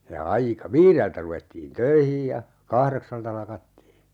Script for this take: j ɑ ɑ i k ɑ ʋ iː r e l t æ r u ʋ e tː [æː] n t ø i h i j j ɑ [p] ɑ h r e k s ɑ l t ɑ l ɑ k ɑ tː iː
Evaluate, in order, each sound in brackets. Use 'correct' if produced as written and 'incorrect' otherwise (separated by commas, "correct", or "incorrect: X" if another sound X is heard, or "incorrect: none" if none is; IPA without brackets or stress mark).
incorrect: iː, incorrect: k